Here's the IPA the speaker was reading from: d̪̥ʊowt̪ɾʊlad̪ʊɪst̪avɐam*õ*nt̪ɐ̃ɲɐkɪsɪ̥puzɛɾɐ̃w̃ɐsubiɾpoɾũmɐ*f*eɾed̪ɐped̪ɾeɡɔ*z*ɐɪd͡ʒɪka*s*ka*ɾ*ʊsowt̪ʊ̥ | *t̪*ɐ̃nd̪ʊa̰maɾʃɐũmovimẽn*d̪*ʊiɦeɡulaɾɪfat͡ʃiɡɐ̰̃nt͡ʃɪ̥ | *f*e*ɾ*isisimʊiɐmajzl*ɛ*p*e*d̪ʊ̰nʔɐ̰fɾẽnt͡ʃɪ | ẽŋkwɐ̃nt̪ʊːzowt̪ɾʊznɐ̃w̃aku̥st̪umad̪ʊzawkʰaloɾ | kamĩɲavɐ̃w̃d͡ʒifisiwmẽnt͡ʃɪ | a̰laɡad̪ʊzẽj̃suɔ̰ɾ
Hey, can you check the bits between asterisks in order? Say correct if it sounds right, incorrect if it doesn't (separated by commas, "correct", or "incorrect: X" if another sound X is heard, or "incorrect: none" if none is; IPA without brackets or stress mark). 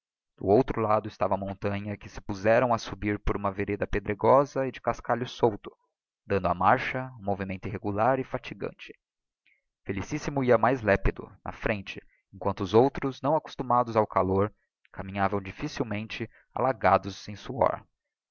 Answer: correct, incorrect: v, correct, correct, incorrect: ʎ, incorrect: d̪, incorrect: t̪, correct, incorrect: l, correct, incorrect: i